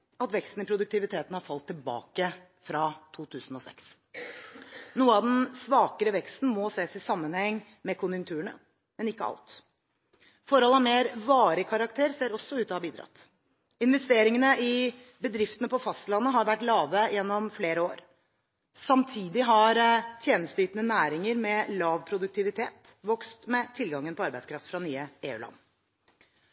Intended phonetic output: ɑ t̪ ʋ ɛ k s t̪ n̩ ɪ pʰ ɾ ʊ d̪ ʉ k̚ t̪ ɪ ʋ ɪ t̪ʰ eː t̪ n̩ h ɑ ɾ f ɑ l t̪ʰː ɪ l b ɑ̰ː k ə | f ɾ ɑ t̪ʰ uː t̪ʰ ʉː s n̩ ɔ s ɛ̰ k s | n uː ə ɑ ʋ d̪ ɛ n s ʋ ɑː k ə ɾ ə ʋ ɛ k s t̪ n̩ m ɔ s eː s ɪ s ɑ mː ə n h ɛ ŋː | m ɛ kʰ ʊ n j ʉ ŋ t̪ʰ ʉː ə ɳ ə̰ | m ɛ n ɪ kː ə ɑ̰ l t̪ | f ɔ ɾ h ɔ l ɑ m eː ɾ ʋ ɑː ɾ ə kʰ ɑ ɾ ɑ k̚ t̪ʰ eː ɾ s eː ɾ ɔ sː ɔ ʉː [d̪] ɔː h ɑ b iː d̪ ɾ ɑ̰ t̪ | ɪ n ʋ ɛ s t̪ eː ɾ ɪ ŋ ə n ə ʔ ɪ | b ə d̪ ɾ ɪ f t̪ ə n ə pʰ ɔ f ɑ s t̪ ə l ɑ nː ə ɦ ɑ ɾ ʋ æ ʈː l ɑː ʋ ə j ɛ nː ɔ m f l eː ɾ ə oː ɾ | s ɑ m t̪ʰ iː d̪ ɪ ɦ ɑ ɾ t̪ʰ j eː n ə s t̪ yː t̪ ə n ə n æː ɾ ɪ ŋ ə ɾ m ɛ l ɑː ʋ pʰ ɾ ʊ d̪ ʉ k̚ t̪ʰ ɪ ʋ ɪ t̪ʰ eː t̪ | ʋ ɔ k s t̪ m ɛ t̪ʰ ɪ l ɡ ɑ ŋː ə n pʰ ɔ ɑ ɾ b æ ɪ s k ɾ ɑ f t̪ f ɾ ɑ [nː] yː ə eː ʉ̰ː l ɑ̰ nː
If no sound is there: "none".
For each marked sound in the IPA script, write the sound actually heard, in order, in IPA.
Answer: t̪, n

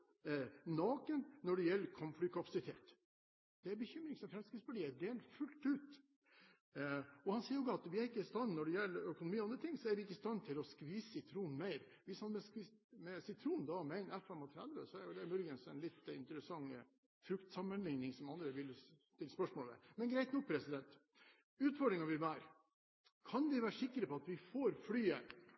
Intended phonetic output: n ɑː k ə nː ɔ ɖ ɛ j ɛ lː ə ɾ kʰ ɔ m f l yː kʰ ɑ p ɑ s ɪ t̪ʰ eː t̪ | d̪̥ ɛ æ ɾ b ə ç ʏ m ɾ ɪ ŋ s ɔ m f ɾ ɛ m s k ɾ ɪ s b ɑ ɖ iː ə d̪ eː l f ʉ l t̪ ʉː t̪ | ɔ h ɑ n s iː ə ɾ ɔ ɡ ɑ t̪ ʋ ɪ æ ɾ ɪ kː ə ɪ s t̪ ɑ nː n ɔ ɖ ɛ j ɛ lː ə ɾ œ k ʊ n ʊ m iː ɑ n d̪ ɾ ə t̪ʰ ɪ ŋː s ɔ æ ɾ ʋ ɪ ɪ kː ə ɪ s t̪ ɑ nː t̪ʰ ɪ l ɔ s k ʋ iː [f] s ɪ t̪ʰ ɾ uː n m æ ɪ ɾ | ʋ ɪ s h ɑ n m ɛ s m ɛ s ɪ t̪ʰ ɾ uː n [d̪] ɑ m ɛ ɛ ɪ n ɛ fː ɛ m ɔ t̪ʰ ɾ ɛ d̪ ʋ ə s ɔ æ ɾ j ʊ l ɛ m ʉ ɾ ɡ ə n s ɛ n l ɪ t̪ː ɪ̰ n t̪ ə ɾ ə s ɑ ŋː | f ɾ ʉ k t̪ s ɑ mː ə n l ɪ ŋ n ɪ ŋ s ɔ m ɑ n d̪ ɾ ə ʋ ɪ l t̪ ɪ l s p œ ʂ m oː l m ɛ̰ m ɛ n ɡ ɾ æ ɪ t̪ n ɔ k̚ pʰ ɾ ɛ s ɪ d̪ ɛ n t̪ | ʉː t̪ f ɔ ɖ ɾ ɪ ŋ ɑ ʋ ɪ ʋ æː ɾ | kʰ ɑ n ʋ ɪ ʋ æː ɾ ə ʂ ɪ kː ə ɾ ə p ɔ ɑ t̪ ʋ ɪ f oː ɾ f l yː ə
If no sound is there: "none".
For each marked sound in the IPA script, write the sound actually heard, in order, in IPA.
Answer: s, d̪

